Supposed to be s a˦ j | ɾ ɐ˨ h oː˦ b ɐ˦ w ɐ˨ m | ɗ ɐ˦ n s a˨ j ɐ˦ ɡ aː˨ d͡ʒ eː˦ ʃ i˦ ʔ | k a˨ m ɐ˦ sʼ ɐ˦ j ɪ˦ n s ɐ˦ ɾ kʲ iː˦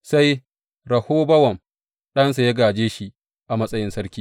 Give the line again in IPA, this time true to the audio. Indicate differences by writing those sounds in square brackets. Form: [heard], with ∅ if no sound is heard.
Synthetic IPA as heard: s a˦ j | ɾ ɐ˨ h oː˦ b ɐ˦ w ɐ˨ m | ɗ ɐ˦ n s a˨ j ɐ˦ ɡ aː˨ d͡ʒ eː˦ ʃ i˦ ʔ | [ʔ] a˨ m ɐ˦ sʼ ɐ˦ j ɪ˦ n s ɐ˦ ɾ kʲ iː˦

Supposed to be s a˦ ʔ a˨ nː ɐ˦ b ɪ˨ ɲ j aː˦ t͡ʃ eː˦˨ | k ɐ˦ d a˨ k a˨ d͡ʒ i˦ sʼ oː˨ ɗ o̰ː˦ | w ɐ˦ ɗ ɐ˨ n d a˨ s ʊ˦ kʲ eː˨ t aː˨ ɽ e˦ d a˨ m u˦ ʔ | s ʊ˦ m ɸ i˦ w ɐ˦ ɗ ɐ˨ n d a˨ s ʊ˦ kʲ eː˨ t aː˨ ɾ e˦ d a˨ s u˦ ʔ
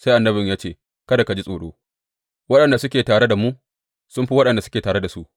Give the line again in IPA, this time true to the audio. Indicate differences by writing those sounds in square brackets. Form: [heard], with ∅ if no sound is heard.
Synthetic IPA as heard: s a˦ ʔ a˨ nː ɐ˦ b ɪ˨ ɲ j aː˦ t͡ʃ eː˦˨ | k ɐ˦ d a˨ k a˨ d͡ʒ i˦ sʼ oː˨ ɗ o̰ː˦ | w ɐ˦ ɗ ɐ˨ n d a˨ s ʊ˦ kʲ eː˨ t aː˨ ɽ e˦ d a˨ m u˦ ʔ | s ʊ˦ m ɸ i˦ w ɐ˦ ɗ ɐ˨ n d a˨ s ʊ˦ kʲ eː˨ t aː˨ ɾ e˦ d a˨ s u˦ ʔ

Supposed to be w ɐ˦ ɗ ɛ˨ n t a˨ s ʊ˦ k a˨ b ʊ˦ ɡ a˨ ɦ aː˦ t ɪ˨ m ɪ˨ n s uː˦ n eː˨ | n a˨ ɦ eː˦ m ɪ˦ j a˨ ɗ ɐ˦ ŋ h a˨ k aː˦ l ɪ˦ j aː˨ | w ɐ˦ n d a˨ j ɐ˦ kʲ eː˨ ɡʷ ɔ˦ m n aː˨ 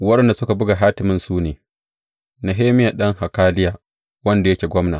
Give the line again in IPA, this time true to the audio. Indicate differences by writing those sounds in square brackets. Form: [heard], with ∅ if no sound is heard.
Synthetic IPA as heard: w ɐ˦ ɗ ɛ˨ n [d] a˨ s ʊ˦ k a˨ b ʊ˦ ɡ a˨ ɦ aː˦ t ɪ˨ m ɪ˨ n s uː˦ n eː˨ | n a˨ ɦ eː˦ m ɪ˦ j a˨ ɗ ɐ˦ ŋ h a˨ k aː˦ l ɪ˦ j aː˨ | w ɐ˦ n d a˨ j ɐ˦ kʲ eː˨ ɡʷ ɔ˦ m n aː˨

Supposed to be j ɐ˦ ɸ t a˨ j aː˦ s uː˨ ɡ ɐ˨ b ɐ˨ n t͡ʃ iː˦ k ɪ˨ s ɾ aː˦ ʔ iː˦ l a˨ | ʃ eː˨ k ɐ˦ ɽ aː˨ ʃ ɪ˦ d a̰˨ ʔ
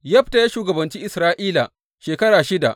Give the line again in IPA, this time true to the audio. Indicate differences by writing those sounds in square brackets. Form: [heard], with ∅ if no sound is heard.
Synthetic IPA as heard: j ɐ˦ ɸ t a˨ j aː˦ [ʃ] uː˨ ɡ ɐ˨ b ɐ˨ n t͡ʃ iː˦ [ʔ] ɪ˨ s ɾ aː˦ ʔ iː˦ l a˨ | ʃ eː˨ k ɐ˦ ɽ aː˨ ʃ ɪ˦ d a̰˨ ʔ

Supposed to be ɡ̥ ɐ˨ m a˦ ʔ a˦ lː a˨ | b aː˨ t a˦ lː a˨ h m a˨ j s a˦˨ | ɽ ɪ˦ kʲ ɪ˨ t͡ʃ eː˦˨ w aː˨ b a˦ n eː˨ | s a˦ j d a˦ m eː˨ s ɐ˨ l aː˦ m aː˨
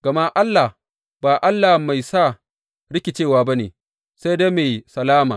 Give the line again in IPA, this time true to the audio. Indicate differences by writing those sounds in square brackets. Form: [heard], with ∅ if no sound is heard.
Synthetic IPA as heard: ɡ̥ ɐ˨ m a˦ ʔ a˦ lː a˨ | b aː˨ [ʔ] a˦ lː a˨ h m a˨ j s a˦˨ | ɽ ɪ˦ kʲ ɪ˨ t͡ʃ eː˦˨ w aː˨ b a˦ n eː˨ | s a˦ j d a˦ m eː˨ s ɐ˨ l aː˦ m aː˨

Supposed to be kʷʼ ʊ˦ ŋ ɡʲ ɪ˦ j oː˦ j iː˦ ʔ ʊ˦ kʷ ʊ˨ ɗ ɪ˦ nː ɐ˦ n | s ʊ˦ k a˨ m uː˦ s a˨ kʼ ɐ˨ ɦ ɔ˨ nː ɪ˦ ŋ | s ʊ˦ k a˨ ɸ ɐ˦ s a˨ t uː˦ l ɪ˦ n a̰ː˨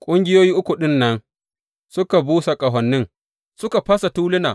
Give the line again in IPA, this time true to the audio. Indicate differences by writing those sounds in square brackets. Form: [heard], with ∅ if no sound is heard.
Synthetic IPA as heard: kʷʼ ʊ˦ ŋ ɡʲ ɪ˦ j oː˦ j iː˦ ʔ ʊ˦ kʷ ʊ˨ ɗ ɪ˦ nː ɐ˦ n | s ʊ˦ k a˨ [b] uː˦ s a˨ kʼ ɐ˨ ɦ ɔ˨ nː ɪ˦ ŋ | s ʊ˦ k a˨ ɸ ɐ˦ s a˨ t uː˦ l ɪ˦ n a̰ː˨

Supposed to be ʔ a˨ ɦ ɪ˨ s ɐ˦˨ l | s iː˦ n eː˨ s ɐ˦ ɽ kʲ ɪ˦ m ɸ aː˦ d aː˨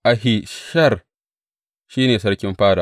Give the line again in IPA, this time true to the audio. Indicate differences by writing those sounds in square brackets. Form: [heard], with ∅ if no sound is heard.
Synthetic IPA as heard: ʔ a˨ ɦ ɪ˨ [ʃ] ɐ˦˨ [r] | [ʃ] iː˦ n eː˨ s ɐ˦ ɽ kʲ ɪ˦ m ɸ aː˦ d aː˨

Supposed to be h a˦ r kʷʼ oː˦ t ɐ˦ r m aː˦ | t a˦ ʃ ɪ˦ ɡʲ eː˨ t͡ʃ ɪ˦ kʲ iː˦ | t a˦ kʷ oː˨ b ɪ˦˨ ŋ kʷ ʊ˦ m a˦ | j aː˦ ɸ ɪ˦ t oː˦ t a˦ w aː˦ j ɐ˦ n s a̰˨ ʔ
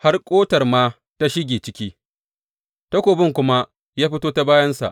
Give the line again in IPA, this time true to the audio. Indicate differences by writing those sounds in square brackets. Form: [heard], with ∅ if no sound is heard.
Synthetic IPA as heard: h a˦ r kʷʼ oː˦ t [ɐ˨] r m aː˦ | t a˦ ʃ ɪ˦ ɡʲ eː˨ t͡ʃ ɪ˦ kʲ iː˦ | t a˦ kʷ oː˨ b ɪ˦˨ ŋ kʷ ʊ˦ m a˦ | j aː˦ ɸ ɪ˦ t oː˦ t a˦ [b] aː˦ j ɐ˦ n s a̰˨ ʔ

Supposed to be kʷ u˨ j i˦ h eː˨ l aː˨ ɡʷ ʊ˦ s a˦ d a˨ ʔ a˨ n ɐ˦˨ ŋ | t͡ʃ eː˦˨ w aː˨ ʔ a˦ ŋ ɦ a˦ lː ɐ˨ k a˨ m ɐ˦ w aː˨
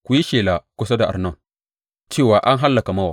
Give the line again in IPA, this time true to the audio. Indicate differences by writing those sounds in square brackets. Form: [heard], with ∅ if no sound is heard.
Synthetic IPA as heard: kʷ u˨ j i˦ [ʃ] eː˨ l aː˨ [kʷ] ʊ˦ s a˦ d a˨ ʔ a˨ n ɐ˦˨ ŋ | t͡ʃ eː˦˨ w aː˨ ʔ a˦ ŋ ɦ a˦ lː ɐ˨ k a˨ m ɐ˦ w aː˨

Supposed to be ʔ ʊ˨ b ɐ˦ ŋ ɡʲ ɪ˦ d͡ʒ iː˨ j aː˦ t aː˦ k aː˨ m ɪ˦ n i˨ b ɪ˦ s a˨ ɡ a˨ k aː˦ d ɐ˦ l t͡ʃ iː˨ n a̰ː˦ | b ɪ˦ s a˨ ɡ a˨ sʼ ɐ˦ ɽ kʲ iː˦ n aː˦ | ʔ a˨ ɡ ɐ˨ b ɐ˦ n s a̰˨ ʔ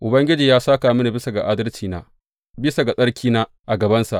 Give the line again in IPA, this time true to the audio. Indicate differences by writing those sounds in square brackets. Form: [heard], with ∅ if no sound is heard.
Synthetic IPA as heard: ʔ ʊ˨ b ɐ˦ ŋ ɡʲ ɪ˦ d͡ʒ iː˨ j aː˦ [s] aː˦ k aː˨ m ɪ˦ n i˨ b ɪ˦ s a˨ ɡ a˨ [ʔ] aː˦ d ɐ˦ l t͡ʃ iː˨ n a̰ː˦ | b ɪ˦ s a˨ ɡ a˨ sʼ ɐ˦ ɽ kʲ iː˦ n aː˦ | ʔ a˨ ɡ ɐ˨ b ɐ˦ n s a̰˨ ʔ

